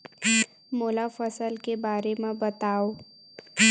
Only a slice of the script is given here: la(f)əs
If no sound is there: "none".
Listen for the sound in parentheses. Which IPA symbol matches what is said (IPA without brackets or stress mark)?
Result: f